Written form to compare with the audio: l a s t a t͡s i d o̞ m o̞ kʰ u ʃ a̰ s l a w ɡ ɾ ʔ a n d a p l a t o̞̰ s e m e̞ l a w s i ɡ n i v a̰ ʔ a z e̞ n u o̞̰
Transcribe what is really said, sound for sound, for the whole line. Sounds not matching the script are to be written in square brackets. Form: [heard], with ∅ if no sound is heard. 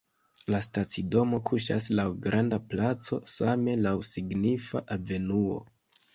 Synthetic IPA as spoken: l a s t a t͡s i d o̞ m o̞ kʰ u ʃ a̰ s l a w ɡ ɾ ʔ a n d a p l a [t͡s] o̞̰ s [a] m e̞ l a w s i ɡ n i [f] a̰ ʔ a [v] e̞ n u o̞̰

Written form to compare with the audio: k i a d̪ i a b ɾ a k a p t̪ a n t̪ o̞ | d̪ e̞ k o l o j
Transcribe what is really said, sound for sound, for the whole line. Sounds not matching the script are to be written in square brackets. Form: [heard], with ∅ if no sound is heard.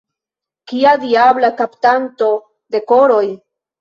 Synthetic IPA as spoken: k i a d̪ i a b [l] a k a p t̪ a n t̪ o̞ | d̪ e̞ k o [ɾ] o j

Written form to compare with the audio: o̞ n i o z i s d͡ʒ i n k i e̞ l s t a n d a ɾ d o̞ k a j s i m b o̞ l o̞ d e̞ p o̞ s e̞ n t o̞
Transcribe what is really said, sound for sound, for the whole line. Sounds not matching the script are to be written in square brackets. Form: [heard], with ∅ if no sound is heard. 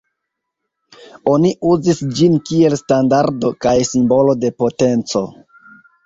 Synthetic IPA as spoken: o̞ n i [u] z i s d͡ʒ i n k i e̞ l s t a n d a ɾ d o̞ k a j s i m b o̞ l o̞ d e̞ p o̞ [t] e̞ n [t͡s] o̞

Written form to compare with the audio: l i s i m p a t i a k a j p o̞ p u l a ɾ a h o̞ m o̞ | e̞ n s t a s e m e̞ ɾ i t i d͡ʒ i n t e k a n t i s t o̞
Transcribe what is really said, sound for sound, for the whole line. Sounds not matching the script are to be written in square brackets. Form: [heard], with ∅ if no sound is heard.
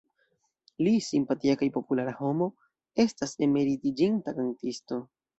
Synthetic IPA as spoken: l i s i m p a t i a k a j p o̞ p u l a ɾ a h o̞ m o̞ | e̞ [∅] s t a s e m e̞ ɾ i t i d͡ʒ i n t [a] k a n t i s t o̞

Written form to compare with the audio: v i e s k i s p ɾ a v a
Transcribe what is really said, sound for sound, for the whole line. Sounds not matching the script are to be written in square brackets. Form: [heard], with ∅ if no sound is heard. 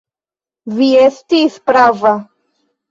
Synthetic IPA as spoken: v i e s [t] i s p ɾ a v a

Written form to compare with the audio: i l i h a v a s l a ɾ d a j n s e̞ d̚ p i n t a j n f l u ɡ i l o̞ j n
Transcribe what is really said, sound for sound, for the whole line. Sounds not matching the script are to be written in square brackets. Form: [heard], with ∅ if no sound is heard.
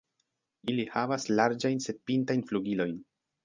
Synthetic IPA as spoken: i l i h a v a s l a ɾ [d͡ʒ] a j n s e̞ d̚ p i n t a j n f l u ɡ i l o̞ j n

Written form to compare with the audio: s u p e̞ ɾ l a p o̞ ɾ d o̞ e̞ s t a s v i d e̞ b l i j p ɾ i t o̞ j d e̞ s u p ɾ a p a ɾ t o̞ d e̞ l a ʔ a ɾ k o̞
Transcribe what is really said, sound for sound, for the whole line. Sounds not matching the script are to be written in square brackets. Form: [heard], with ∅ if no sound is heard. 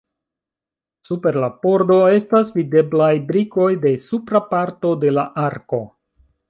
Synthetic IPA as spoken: s u p e̞ ɾ l a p o̞ ɾ d o̞ e̞ s t a s v i d e̞ b l [a] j [b] ɾ i [k] o̞ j d e̞ s u p ɾ a p a ɾ t o̞ d e̞ l a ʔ a ɾ k o̞

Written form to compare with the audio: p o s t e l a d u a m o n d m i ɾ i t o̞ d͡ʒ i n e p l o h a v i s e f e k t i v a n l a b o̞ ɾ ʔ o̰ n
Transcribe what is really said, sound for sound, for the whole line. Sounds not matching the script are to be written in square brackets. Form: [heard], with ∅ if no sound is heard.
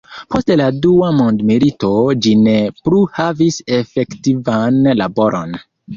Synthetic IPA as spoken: p o s t e l a d u a m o n d m i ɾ i t o̞ d͡ʒ i n e p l [u] h a v i s e f e k t i v a n l a b o̞ ɾ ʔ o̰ n

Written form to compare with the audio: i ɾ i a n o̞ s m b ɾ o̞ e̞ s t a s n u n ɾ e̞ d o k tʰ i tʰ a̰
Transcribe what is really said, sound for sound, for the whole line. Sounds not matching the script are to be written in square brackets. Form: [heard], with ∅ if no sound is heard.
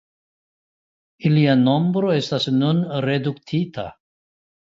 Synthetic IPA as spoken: i [l] i a n o̞ [∅] m b ɾ o̞ e̞ s t a s n u n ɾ e̞ d [u] k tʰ i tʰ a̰

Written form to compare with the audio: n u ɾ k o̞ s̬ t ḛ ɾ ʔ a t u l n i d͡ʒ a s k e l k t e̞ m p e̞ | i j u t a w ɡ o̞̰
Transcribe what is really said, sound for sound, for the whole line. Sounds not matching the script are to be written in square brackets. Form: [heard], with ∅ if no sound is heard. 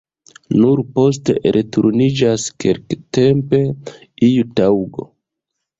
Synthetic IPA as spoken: n u ɾ [p] o̞ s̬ t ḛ ɾ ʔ [e] t u [ɾ] n i d͡ʒ a s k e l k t e̞ m p e̞ | i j u t a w ɡ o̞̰

